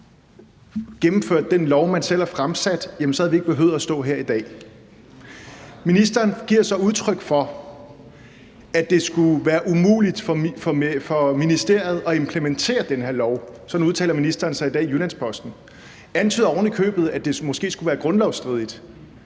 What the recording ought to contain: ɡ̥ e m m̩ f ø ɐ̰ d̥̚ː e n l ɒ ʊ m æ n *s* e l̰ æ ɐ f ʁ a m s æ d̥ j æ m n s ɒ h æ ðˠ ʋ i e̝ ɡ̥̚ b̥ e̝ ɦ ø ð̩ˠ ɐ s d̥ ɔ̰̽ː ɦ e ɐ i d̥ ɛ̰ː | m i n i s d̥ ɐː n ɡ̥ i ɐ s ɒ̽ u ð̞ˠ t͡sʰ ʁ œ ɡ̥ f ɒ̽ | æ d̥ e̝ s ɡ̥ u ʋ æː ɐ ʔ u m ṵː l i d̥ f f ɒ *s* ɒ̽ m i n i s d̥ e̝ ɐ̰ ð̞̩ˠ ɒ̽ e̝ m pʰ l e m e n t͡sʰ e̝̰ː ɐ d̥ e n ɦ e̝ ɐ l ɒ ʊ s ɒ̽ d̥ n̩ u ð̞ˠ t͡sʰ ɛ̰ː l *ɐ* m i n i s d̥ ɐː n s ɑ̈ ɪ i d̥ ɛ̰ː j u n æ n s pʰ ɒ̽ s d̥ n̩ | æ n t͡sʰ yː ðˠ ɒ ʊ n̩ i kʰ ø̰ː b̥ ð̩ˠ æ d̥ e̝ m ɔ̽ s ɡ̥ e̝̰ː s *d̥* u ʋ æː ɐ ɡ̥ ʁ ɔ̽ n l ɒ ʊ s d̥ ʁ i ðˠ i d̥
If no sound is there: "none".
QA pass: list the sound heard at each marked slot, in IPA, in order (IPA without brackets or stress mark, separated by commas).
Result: s, f, ɐ, ɡ̥